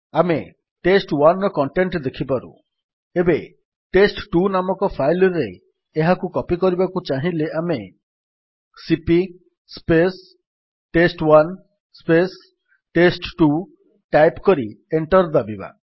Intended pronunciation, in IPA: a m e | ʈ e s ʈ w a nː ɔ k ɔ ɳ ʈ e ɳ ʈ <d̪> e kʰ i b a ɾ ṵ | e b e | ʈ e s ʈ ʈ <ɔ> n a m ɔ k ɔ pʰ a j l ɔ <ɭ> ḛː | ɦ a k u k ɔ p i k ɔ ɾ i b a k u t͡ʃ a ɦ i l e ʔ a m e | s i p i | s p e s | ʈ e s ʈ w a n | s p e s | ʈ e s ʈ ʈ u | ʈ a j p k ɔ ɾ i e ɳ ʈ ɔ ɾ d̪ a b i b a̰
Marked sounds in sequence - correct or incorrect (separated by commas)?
correct, incorrect, incorrect